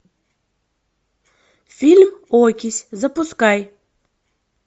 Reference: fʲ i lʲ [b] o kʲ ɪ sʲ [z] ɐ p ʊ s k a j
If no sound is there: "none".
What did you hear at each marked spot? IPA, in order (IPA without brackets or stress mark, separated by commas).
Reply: m, z